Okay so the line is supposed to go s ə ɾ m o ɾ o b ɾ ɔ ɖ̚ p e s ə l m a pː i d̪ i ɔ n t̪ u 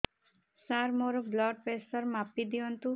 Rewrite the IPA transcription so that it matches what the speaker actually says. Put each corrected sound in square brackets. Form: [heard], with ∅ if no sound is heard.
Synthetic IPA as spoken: s [a] ɾ m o ɾ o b [l] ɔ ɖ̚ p e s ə [ɾ] m a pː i d̪ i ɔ n t̪ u